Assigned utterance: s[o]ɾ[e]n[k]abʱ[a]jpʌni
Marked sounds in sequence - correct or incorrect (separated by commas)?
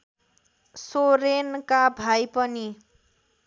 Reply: correct, correct, correct, correct